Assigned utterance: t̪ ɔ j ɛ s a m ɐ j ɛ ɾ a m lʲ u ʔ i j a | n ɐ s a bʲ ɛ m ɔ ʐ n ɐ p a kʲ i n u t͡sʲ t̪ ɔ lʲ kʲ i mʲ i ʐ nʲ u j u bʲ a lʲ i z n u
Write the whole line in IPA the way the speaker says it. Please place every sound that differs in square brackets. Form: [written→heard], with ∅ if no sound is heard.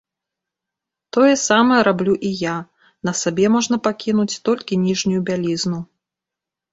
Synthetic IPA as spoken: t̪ ɔ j ɛ s a m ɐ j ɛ ɾ a [m→b] lʲ u ʔ i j a | n ɐ s a bʲ ɛ m ɔ ʐ n ɐ p a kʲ i n u t͡sʲ t̪ ɔ lʲ kʲ i [mʲ→nʲ] i ʐ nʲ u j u bʲ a lʲ i z n u